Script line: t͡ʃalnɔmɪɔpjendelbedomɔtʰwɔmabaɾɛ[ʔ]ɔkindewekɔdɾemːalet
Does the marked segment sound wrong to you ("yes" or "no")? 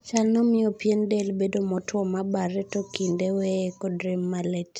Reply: yes